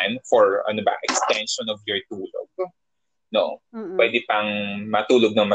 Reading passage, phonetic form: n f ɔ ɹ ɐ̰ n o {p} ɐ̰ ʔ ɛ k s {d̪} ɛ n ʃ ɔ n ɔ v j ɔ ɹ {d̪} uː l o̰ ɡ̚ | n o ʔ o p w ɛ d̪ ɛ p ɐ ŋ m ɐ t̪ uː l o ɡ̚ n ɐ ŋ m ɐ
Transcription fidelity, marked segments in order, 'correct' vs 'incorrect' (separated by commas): incorrect, incorrect, incorrect